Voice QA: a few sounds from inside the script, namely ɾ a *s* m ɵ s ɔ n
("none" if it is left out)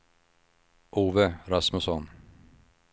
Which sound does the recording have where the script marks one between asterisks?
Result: s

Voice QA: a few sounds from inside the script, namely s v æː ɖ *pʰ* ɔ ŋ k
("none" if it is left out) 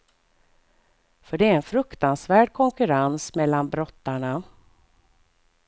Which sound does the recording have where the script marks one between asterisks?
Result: kʰ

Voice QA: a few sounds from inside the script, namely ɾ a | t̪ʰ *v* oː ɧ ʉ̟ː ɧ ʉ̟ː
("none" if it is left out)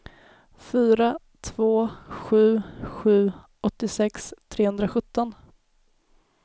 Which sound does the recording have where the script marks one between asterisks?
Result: v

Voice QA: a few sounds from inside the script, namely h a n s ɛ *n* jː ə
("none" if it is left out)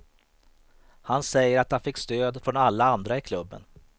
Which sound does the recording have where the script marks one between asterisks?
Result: none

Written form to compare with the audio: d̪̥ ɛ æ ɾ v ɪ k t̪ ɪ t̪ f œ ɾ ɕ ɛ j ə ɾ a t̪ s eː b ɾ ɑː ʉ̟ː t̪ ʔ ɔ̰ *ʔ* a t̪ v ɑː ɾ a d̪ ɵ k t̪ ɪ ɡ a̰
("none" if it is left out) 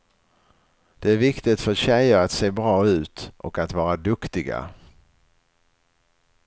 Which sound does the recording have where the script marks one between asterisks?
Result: k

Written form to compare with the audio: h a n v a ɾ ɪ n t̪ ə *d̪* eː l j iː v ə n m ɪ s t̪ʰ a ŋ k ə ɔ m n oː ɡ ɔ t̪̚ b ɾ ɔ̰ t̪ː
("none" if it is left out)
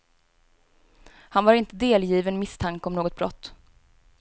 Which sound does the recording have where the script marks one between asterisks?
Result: d̪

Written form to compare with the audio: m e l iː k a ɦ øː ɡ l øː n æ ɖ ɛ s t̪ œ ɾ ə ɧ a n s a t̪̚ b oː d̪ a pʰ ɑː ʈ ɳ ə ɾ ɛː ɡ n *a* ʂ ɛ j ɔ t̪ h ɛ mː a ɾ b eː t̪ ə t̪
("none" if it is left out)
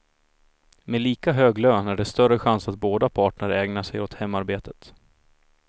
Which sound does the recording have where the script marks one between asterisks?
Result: a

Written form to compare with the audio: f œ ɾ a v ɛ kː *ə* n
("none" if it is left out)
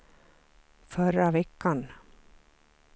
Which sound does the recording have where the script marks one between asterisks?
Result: a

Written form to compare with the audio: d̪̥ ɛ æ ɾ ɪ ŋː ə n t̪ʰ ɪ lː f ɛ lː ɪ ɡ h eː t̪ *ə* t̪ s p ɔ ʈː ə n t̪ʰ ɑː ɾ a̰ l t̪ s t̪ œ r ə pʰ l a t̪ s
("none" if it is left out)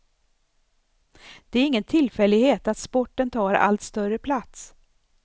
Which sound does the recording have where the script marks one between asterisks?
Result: a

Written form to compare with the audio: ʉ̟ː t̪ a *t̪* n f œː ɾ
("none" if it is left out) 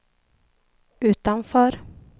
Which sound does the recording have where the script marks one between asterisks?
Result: none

